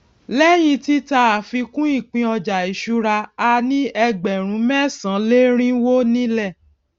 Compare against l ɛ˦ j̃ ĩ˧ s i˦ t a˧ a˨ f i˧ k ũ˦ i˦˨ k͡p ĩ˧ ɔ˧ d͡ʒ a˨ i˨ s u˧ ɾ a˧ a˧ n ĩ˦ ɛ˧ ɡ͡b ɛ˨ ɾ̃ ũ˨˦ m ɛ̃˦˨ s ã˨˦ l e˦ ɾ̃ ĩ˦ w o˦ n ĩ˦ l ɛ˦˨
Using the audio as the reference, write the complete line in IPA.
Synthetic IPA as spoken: l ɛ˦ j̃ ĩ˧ t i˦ t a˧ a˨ f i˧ k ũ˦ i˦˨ k͡p ĩ˧ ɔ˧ d͡ʒ a˨ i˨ ʃ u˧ ɾ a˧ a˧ n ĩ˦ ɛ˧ ɡ͡b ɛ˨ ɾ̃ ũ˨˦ m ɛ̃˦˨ s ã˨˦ l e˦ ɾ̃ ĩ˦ w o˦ n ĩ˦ l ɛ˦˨